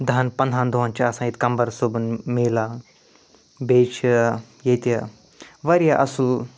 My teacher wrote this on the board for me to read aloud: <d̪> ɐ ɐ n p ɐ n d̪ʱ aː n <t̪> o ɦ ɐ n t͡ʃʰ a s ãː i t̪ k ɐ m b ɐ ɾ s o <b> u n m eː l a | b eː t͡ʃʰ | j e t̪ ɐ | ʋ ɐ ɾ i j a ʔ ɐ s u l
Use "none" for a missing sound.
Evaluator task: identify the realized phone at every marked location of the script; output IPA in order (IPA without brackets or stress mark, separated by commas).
d̪, d̪, b